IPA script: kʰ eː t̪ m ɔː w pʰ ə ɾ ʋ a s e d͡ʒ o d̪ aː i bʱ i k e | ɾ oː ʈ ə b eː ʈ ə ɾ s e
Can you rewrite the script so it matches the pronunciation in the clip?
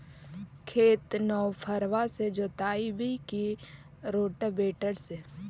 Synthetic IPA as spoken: kʰ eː t̪ n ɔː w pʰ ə ɾ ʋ a s e d͡ʒ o t̪ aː i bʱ i k i | ɾ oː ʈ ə b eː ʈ ə ɾ s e